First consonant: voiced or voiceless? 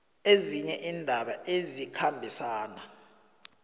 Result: voiced